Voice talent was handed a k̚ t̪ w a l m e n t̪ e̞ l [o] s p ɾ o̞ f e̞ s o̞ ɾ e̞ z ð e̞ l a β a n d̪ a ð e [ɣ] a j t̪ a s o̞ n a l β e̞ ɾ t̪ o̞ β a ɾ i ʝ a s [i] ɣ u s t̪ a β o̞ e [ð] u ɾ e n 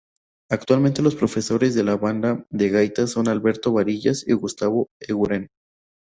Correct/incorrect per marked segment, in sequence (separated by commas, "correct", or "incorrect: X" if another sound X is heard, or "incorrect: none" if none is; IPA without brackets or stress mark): correct, correct, correct, incorrect: ɣ